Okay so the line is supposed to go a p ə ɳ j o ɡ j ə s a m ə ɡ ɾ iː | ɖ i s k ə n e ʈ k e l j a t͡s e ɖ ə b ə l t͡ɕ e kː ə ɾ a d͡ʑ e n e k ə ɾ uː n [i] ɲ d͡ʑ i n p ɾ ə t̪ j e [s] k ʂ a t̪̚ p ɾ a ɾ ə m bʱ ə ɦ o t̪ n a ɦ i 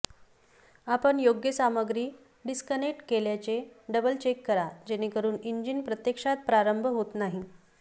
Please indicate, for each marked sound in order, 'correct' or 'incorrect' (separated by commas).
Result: correct, incorrect